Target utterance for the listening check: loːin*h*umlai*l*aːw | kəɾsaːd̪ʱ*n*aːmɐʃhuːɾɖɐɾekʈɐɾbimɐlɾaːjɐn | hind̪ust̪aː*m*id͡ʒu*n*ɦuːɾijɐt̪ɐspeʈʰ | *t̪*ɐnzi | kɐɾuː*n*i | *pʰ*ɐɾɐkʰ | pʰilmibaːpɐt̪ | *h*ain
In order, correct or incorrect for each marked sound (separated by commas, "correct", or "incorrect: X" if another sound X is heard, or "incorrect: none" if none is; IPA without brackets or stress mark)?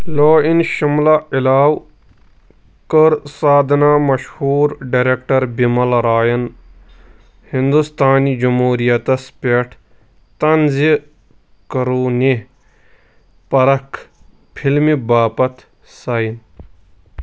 incorrect: ʃ, correct, correct, incorrect: n, incorrect: m, correct, correct, incorrect: p, incorrect: s